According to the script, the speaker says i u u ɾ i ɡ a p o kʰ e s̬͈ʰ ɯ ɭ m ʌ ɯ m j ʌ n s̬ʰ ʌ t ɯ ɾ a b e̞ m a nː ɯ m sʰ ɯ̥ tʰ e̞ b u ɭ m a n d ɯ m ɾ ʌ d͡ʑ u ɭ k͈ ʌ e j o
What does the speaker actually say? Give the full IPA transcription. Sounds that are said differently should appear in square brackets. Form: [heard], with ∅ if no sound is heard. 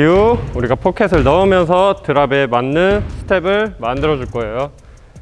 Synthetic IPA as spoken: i u u ɾ i ɡ a [pʰ] o kʰ e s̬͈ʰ ɯ ɭ [n] ʌ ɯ m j ʌ n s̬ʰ ʌ t ɯ ɾ a b e̞ m a nː ɯ [n] sʰ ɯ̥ tʰ e̞ b [ɯ] ɭ m a n d ɯ [∅] ɾ ʌ d͡ʑ u ɭ k͈ ʌ e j o